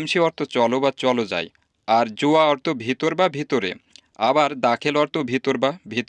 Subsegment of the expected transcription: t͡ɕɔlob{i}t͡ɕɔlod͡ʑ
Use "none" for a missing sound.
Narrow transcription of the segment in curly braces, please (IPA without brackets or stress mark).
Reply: a